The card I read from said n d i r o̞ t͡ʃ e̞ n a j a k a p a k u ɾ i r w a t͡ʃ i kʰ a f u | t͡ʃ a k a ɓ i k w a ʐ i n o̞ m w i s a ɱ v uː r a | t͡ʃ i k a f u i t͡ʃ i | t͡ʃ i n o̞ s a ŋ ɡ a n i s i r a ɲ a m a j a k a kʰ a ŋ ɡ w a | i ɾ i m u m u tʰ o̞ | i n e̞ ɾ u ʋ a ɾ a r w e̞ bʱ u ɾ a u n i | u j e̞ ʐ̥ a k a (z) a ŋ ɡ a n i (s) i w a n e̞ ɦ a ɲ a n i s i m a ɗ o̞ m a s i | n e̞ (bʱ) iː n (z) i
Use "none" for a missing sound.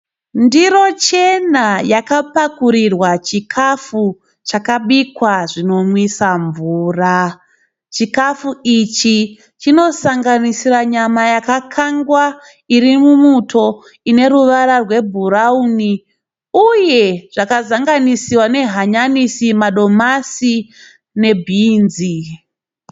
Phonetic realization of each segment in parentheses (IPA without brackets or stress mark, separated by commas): z, s, bʱ, z